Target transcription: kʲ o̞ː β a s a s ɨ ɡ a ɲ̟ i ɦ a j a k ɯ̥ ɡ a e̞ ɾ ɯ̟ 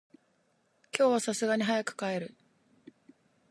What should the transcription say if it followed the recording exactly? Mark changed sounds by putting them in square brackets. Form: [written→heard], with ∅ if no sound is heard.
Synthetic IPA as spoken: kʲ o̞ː β a s a s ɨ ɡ a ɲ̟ i ɦ a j a k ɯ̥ [ɡ→k] a e̞ ɾ ɯ̟